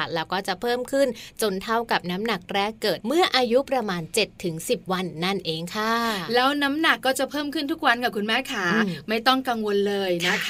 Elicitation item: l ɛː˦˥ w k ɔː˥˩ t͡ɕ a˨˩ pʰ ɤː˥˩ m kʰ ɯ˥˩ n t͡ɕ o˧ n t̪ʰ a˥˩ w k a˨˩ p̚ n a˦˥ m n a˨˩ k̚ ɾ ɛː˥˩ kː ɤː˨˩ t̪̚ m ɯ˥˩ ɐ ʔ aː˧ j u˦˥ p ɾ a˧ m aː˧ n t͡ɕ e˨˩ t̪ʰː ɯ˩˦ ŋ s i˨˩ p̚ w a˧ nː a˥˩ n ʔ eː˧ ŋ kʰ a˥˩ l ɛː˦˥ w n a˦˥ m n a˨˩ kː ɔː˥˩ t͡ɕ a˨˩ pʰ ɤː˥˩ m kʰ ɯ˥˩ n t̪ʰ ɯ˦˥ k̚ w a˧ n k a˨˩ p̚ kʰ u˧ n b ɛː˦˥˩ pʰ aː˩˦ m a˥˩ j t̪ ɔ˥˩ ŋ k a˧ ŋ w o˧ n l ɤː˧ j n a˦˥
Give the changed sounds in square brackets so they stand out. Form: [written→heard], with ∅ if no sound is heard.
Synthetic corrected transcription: l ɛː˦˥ w k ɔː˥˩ t͡ɕ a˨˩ pʰ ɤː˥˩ m kʰ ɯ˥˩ n t͡ɕ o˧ n t̪ʰ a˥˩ w k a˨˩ p̚ n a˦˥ m n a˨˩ k̚ ɾ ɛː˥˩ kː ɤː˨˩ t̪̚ m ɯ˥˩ ɐ ʔ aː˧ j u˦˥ p ɾ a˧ m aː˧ n t͡ɕ e˨˩ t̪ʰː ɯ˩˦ ŋ s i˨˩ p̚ w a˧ nː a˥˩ n ʔ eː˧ ŋ kʰ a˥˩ l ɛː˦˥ w n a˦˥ m n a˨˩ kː ɔː˥˩ t͡ɕ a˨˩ pʰ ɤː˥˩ m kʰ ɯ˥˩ n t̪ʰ [ɯ˦˥→u˦˥] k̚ w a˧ n k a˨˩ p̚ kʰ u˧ n [b→m] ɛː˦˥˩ [pʰ→kʰ] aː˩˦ m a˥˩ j t̪ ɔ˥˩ ŋ k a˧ ŋ w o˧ n l ɤː˧ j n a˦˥